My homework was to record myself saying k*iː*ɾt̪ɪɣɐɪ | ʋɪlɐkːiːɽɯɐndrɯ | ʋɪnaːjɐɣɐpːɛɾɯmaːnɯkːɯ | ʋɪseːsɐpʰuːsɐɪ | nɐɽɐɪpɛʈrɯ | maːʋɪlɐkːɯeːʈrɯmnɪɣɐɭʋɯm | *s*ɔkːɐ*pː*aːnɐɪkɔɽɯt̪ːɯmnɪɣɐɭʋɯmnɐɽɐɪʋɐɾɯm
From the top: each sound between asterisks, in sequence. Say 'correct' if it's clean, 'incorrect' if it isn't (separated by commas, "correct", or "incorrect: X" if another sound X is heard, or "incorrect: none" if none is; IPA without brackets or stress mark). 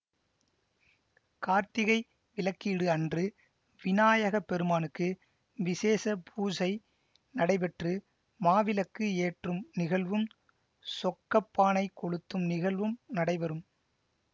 incorrect: aː, correct, correct